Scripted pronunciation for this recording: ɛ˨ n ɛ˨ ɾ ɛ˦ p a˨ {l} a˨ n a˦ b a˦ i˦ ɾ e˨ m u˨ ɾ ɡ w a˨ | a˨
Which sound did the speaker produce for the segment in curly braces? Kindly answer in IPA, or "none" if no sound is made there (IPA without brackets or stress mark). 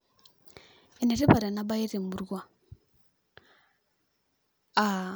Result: ɾ